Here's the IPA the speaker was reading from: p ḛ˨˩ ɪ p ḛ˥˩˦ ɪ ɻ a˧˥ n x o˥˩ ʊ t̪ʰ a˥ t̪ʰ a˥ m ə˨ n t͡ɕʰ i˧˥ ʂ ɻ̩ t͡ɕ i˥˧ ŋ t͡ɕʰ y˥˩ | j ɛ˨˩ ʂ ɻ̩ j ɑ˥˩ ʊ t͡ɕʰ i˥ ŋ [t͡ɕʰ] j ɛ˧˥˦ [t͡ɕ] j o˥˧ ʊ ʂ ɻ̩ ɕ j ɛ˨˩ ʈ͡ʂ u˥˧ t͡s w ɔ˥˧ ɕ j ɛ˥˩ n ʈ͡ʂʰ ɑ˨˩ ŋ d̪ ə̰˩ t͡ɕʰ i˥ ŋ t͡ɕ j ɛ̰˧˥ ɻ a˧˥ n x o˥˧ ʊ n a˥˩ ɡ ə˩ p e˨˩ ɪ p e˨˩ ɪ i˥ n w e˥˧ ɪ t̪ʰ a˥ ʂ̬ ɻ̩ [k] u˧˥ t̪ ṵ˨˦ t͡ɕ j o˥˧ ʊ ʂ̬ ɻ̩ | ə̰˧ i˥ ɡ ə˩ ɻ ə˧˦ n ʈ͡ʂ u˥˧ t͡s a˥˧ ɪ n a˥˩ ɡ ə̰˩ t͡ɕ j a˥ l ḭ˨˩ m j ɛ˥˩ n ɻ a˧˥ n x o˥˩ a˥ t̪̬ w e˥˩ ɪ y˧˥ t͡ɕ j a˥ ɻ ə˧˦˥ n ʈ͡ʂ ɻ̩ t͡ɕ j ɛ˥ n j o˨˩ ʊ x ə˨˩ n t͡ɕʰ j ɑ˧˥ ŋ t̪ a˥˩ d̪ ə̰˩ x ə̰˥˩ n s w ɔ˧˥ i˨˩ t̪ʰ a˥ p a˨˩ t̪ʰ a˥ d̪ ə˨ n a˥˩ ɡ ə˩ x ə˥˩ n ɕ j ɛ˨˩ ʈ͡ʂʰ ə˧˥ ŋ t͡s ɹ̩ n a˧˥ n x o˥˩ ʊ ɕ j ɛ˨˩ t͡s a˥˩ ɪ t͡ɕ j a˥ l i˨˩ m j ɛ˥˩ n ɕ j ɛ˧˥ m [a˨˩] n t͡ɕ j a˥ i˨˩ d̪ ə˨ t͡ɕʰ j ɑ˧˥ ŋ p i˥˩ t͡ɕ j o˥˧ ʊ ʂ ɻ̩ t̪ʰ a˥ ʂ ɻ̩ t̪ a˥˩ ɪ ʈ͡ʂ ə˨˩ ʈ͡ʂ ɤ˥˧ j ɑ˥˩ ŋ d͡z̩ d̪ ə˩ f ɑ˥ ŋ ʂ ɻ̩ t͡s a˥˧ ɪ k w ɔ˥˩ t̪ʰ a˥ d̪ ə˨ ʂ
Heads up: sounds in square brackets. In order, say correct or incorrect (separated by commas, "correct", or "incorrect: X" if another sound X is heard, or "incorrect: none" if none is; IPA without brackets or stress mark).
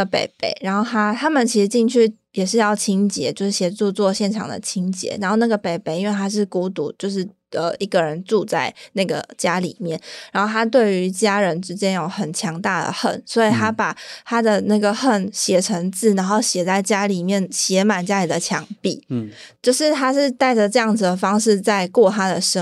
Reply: incorrect: t͡ɕ, correct, correct, correct